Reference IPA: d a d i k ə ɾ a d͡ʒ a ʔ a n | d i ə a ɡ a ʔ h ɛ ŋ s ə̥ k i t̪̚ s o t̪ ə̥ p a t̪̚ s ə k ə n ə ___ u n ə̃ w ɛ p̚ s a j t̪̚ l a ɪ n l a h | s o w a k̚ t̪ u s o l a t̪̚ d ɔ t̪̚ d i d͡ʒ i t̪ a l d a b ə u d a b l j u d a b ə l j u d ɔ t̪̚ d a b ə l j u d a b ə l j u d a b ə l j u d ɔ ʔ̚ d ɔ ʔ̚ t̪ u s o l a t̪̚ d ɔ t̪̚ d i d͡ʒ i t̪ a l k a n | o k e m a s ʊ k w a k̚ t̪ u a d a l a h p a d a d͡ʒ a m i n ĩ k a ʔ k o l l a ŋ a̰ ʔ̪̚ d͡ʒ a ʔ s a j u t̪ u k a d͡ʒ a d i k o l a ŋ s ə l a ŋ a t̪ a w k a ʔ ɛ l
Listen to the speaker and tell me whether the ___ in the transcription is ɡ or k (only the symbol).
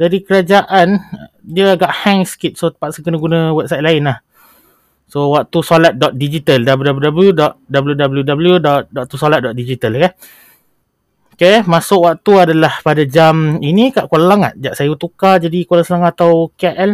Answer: ɡ